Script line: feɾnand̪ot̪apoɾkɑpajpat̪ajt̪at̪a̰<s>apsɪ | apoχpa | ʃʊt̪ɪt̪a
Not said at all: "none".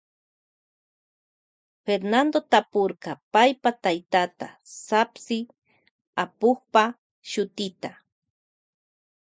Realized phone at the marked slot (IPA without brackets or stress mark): s